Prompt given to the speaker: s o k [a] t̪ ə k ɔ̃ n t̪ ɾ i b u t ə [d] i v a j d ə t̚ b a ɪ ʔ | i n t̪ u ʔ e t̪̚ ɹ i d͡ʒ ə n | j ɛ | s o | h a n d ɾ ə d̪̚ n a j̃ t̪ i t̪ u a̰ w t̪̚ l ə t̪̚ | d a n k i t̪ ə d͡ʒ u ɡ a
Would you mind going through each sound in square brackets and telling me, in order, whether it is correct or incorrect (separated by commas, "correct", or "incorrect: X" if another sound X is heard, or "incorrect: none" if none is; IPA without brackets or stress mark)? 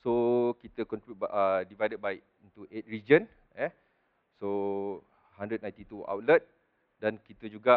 incorrect: i, correct